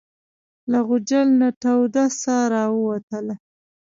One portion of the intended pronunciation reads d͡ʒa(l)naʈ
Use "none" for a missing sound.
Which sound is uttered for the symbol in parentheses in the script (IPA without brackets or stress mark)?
l